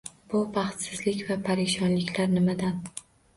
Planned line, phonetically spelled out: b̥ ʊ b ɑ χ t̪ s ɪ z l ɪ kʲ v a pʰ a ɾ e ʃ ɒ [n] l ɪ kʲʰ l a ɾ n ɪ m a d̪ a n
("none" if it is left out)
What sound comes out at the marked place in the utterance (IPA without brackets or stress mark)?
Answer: n